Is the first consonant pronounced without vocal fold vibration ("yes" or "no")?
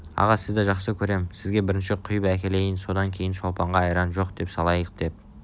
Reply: no